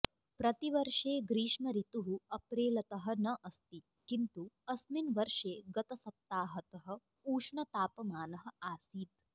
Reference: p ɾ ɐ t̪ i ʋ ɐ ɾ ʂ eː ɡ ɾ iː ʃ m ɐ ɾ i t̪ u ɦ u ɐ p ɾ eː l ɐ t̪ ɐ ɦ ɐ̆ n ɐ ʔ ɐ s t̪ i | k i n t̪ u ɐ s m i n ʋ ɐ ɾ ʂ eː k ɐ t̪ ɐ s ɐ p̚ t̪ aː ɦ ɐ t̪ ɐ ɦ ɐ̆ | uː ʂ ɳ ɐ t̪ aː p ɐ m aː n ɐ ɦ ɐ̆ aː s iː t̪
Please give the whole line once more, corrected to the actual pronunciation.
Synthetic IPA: p ɾ ɐ t̪ i ʋ ɐ ɾ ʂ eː ɡ ɾ iː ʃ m ɐ ɾ i t̪ u ɦ u ɐ p ɾ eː l ɐ t̪ ɐ ɦ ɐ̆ n ɐ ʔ ɐ s t̪ i | k i n t̪ u ɐ s m i n ʋ ɐ ɾ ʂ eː ɡ ɐ t̪ ɐ s ɐ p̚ t̪ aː ɦ ɐ t̪ ɐ ɦ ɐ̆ | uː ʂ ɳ ɐ t̪ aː p ɐ m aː n ɐ ɦ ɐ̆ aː s iː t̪

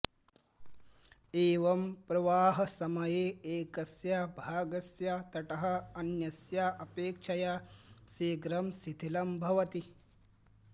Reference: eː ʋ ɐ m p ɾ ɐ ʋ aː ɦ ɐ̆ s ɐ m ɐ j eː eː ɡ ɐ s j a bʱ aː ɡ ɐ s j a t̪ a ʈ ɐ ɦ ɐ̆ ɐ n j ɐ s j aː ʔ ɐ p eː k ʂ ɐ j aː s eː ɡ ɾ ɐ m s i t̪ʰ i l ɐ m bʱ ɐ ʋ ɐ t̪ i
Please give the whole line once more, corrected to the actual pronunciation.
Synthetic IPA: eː ʋ ɐ m p ɾ ɐ ʋ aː ɦ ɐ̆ s ɐ m ɐ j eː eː k ɐ s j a bʱ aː ɡ ɐ s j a t̪ ɐ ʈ ɐ ɦ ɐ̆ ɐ n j ɐ s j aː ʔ ɐ p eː k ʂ ɐ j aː s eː ɡ ɾ ɐ m s i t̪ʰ i l ɐ m bʱ ɐ ʋ ɐ t̪ i

